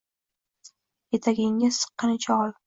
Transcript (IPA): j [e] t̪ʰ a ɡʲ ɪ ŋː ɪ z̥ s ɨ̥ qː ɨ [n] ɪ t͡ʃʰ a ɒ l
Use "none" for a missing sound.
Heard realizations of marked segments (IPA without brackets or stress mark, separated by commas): e, n